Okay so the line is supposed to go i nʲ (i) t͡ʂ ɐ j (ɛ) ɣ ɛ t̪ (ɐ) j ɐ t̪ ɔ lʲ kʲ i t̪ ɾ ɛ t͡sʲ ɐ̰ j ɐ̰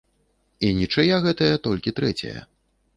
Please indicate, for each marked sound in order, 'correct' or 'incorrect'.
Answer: correct, incorrect, correct

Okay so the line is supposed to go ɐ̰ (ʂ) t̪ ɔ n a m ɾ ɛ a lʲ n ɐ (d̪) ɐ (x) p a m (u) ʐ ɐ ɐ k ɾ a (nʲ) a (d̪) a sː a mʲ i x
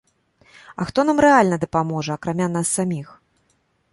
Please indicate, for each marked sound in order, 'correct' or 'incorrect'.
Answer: incorrect, correct, incorrect, incorrect, incorrect, incorrect

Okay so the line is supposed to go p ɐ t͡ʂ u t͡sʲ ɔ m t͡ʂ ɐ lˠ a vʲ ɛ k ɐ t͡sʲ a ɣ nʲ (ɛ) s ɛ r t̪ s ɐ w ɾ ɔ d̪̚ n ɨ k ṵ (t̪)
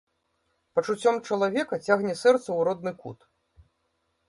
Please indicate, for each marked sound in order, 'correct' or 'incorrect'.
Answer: correct, correct

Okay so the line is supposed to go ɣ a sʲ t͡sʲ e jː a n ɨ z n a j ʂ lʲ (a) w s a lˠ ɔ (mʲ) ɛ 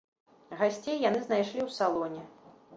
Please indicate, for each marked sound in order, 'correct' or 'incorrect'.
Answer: incorrect, incorrect

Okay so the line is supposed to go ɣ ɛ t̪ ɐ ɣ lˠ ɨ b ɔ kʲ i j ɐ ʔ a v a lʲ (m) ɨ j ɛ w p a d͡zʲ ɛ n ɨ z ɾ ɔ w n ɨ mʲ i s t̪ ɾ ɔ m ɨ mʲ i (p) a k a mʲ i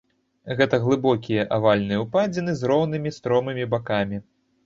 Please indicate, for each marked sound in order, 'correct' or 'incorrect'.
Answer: incorrect, incorrect

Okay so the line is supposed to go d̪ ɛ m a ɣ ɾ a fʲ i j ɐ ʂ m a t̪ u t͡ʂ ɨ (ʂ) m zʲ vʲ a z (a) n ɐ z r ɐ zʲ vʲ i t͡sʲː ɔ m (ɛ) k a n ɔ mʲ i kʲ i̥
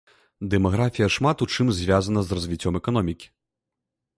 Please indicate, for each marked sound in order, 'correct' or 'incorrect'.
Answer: incorrect, incorrect, correct

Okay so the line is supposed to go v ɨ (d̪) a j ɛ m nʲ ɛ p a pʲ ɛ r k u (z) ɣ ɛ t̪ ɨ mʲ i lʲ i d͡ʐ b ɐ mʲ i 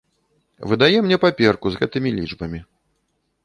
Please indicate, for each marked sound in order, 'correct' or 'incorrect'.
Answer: correct, correct

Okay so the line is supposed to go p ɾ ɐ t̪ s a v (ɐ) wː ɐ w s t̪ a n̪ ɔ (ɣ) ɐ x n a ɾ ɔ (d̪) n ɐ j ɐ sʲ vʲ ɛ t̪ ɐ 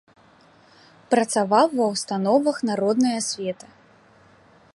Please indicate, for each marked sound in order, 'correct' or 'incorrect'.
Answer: incorrect, incorrect, correct

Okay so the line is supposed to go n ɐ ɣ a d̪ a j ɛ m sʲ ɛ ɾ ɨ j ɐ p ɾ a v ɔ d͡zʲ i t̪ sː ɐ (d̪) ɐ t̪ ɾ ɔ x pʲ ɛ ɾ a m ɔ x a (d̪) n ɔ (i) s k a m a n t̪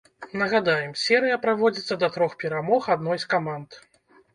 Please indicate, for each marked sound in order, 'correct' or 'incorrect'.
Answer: correct, correct, incorrect

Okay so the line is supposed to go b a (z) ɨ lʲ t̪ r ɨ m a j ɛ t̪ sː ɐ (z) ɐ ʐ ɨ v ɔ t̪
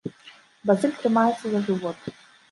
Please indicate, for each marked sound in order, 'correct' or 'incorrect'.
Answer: correct, correct

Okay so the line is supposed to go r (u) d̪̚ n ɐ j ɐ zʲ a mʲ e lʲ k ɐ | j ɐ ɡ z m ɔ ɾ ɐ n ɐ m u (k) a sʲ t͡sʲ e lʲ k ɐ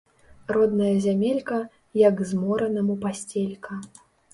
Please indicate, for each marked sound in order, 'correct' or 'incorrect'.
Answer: incorrect, incorrect

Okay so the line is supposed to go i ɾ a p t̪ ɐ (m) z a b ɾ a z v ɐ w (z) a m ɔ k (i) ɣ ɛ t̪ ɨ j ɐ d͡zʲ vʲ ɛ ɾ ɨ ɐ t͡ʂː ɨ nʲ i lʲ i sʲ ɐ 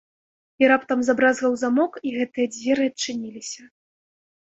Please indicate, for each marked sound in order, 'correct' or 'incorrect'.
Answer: correct, correct, correct

